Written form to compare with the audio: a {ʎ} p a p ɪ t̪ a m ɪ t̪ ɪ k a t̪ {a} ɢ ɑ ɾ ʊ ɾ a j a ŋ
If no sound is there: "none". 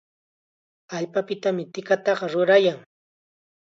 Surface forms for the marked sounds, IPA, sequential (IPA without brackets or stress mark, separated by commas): ʎ, ɑ